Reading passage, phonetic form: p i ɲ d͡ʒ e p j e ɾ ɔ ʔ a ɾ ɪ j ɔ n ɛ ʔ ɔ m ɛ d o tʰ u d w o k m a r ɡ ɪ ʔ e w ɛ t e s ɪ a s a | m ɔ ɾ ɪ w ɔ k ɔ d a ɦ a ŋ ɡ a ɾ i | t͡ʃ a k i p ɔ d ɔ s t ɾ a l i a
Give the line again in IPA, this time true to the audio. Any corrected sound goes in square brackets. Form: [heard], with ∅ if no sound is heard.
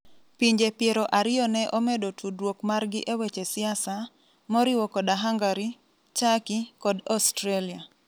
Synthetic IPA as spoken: p i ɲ d͡ʒ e p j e ɾ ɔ ʔ a ɾ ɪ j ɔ n ɛ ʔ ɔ m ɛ d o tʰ u d w o k m a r ɡ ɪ ʔ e w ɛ [t͡ʃ] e s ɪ a s a | m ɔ ɾ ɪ w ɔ k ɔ d a ɦ a ŋ ɡ a ɾ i | t͡ʃ a k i [k] ɔ d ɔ s t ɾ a l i a